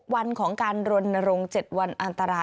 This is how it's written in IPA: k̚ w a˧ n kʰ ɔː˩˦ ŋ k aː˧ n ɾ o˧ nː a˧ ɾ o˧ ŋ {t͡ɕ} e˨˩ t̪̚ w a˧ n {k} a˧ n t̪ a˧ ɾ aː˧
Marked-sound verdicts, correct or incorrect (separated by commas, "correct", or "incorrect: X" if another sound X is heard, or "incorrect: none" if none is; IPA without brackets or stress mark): correct, incorrect: ʔ